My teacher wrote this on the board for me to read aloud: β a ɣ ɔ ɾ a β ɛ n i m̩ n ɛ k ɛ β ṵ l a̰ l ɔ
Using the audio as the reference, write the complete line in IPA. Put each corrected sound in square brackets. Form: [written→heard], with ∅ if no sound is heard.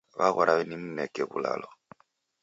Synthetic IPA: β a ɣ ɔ ɾ a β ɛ n i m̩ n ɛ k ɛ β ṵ l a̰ l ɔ